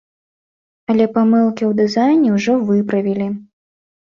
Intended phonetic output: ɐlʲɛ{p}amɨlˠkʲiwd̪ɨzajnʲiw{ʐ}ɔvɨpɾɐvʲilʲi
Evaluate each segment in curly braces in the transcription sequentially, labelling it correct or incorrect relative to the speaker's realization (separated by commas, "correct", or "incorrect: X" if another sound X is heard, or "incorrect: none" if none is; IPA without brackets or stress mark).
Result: correct, correct